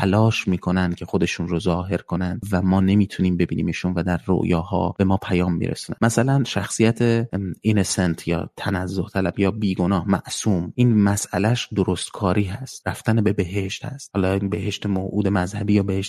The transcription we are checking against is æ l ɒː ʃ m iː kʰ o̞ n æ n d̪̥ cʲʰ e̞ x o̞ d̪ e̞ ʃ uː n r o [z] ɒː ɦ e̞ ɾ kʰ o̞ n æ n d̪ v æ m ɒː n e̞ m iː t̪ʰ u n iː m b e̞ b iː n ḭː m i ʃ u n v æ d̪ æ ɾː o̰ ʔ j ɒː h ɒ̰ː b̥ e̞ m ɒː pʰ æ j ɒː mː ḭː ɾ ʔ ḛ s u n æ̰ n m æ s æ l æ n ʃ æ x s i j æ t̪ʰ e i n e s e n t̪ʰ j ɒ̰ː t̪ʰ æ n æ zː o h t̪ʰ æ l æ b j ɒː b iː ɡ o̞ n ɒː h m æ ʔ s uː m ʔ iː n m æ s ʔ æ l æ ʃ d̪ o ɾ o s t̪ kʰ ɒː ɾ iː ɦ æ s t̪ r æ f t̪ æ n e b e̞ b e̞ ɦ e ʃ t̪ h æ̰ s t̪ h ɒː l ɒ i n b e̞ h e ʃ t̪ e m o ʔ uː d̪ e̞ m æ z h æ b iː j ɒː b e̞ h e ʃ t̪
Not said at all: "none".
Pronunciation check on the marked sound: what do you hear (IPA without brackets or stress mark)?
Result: z